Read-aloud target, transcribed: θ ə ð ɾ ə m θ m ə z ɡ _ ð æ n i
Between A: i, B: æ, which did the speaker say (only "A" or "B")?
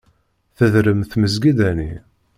A